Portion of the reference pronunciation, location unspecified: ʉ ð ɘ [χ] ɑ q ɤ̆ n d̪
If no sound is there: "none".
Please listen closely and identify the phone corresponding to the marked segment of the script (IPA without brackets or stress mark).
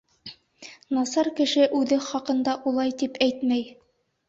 χ